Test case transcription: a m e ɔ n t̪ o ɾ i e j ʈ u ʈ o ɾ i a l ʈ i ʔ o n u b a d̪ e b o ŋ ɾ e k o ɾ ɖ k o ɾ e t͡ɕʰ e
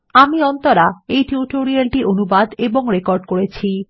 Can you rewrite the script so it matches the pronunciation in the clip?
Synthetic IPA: a m i ɔ n t̪ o ɾ a e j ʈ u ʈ o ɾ i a l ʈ i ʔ o n u b a d̪ e b o ŋ ɾ e k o ɾ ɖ k o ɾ e t͡ɕʰ i